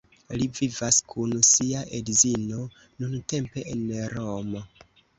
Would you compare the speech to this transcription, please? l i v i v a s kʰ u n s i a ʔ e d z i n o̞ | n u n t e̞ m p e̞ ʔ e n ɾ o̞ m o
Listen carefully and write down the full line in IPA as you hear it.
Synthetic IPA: l i v i v a s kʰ u n s i a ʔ e d z i n o̞ | n u n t e̞ m p e̞ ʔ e n ɾ o̞ m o